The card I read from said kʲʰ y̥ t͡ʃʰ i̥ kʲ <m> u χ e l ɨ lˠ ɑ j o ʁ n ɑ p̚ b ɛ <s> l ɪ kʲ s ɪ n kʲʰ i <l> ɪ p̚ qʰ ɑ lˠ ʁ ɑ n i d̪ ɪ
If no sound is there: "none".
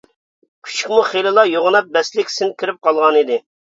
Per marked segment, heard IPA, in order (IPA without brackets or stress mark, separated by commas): m, s, ɾ